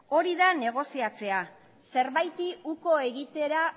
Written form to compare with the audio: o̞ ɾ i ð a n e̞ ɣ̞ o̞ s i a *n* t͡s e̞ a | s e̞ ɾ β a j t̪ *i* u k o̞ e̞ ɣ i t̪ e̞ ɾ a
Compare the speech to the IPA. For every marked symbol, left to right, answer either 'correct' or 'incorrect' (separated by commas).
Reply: incorrect, correct